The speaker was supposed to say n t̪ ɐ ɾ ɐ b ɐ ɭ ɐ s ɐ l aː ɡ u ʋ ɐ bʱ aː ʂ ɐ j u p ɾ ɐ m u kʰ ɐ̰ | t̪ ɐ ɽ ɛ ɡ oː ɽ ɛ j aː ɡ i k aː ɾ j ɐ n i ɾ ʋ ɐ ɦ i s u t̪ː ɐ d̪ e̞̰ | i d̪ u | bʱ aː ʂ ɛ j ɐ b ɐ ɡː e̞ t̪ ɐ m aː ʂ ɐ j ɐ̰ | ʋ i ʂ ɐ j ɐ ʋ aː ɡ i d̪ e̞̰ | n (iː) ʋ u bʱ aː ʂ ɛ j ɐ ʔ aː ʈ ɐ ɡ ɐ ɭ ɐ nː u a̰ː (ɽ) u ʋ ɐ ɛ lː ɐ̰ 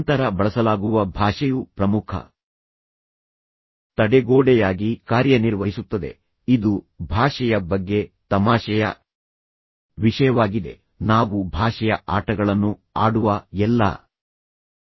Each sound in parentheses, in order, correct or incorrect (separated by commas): incorrect, correct